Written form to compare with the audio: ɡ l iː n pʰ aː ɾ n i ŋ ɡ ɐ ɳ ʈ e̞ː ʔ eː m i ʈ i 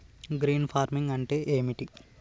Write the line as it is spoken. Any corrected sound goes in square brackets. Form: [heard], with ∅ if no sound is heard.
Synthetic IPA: ɡ [ɾ] iː n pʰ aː ɾ [m] i ŋ ɡ ɐ ɳ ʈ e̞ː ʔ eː m i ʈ i